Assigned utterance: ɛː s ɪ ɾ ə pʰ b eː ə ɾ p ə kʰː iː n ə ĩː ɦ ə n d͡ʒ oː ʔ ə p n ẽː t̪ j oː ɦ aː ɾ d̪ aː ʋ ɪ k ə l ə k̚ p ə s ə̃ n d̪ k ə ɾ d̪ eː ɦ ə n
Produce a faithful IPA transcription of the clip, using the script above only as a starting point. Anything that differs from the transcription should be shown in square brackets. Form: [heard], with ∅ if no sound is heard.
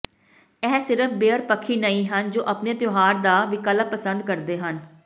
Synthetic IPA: ɛː s ɪ ɾ ə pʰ b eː ə ɾ p ə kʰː iː n ə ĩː ɦ ə n d͡ʒ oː ʔ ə p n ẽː t̪ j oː ɦ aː ɾ d̪ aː ʋ ɪ k ə l ə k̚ p ə s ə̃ n d̪ k ə ɾ d̪ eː ɦ ə n